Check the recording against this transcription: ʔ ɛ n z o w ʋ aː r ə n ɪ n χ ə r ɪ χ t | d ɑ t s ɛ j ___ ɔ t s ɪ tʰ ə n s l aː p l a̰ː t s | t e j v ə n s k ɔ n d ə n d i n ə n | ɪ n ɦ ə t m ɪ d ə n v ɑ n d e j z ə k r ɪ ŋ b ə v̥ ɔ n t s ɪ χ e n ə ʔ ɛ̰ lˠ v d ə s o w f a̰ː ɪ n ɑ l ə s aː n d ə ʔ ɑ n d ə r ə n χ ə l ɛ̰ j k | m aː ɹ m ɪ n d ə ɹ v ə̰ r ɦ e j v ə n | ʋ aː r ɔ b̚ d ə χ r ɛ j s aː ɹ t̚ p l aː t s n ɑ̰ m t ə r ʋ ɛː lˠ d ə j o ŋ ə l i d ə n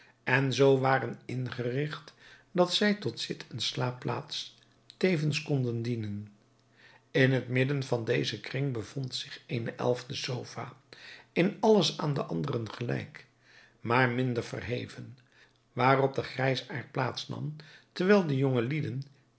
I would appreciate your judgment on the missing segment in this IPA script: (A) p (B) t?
B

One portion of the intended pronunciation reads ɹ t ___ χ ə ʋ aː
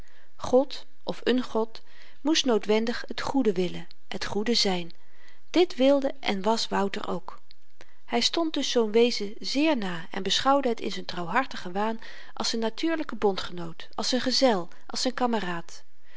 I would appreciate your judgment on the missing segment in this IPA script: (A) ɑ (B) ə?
B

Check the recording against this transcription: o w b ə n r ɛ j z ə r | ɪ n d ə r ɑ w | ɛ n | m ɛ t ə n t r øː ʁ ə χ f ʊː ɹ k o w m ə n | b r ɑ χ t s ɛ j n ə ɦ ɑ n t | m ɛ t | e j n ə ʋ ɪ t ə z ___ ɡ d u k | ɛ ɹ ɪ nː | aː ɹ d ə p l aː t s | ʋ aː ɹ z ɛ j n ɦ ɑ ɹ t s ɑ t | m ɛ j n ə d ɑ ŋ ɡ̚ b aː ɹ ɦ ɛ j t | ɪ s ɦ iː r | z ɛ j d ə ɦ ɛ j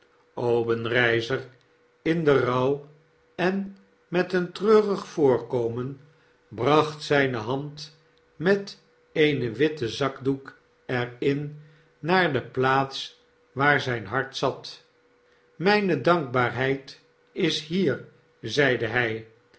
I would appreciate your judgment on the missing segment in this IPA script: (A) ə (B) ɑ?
B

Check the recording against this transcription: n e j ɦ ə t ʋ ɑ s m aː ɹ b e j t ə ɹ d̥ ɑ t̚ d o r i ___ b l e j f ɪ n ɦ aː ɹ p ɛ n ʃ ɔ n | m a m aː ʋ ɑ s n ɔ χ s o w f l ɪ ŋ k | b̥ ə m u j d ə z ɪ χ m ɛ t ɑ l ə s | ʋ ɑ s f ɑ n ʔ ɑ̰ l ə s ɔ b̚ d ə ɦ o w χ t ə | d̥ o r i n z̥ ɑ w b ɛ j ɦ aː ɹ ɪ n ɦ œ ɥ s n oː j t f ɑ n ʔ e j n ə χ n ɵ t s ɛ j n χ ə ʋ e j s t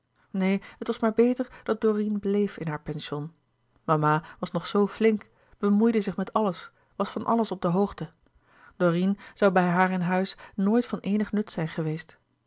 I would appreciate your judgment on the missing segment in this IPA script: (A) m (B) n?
B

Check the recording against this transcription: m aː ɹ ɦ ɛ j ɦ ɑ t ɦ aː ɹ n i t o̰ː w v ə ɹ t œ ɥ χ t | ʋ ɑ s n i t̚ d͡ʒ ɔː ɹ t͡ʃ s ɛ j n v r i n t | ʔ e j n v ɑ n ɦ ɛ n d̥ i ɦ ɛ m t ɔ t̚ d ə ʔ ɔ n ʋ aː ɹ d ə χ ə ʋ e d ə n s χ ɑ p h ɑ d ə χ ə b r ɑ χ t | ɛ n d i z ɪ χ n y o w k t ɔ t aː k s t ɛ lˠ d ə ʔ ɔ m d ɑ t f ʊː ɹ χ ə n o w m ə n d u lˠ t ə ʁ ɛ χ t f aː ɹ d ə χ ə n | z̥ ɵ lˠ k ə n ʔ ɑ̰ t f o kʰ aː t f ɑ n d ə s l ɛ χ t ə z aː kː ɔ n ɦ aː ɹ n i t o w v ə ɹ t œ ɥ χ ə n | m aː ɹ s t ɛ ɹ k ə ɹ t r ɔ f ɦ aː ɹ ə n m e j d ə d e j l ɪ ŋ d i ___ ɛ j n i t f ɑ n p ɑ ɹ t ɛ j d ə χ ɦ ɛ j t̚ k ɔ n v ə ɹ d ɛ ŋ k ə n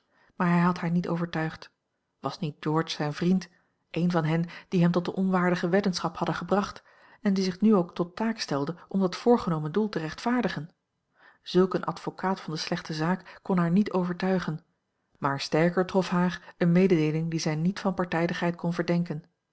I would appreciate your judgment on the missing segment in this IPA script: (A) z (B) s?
A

